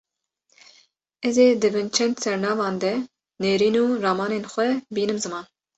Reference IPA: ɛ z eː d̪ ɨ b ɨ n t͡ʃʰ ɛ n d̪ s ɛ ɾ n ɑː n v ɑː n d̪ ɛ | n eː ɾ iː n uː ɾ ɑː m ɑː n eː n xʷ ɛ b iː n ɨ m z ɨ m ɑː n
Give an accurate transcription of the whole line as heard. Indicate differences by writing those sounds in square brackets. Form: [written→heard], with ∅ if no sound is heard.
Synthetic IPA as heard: ɛ z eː d̪ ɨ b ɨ n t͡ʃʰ ɛ n d̪ s ɛ ɾ n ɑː [n→∅] v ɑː n d̪ ɛ | n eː ɾ iː n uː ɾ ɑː m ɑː n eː n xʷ ɛ b iː n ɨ m z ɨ m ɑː n